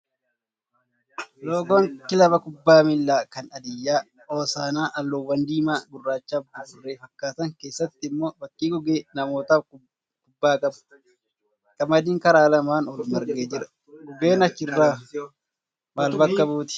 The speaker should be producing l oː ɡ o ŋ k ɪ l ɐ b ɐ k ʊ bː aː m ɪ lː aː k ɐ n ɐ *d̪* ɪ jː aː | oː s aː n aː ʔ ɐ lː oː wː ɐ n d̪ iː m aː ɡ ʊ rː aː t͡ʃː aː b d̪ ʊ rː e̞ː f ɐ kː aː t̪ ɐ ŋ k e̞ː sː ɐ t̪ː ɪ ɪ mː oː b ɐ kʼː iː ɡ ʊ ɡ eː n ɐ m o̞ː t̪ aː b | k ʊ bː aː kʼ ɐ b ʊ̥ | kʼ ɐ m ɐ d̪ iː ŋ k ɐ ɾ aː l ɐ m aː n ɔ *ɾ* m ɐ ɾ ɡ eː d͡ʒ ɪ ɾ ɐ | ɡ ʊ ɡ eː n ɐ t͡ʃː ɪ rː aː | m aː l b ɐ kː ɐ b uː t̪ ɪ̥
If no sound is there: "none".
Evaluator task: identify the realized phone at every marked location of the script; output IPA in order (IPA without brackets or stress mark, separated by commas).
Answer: d̪, l